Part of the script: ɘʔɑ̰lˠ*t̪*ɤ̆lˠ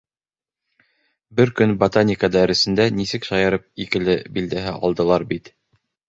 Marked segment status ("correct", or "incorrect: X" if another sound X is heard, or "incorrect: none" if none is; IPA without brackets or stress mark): incorrect: d̪